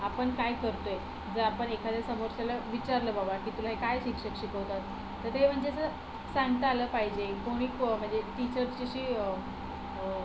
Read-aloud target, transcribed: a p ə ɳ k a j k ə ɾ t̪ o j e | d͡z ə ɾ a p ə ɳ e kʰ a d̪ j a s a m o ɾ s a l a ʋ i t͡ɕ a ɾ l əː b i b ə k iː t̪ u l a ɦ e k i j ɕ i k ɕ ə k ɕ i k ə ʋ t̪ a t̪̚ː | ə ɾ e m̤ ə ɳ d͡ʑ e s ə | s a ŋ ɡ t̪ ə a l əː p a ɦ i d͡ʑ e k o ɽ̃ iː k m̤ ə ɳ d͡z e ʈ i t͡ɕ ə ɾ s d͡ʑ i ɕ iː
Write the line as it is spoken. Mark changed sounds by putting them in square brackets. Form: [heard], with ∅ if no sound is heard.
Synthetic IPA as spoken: a p ə ɳ k a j k ə ɾ t̪ o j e | d͡z ə ɾ a p ə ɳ e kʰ a d̪ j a s [ə] m o ɾ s a l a ʋ i t͡ɕ a ɾ l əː b [a] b [a] k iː t̪ u l a ɦ e k [a] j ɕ i k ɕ ə k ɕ i k ə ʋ t̪ a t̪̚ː | ə ɾ e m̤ ə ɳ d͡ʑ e s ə | s a ŋ ɡ t̪ ə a l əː p a ɦ i d͡ʑ e k o ɽ̃ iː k m̤ ə ɳ d͡z e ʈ i t͡ɕ ə ɾ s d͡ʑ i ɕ iː